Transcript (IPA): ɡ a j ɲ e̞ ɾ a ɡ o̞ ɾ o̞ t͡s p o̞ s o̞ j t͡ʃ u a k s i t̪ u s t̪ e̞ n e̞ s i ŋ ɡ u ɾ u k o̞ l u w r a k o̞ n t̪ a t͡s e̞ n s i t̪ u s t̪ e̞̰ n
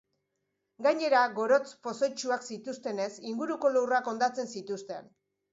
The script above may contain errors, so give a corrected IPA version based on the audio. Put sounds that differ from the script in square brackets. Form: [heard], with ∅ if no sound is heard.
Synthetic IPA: ɡ a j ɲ e̞ ɾ a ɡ o̞ ɾ o̞ t͡s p o̞ s o̞ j t͡ʃ u a k s i t̪ u s t̪ e̞ n e̞ s i ŋ ɡ u ɾ u k o̞ l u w r a k o̞ n [d̪] a t͡s e̞ n s i t̪ u s t̪ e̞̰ n